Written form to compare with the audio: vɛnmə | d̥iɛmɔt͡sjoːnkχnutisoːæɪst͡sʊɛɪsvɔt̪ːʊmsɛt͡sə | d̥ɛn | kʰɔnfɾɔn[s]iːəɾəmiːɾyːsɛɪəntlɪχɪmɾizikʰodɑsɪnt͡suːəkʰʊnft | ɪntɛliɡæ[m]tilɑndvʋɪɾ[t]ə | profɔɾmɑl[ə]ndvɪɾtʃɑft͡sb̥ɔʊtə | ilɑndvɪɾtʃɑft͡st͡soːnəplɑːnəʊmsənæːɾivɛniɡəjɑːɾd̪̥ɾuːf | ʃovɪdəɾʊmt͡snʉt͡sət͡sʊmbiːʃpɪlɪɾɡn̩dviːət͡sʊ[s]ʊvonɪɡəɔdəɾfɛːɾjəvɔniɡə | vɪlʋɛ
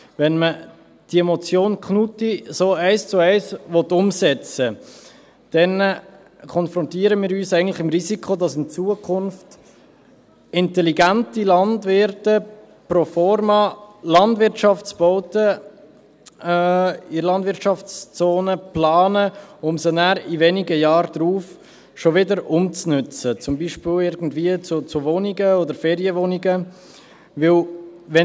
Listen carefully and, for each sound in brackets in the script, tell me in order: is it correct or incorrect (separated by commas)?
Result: incorrect, incorrect, correct, incorrect, incorrect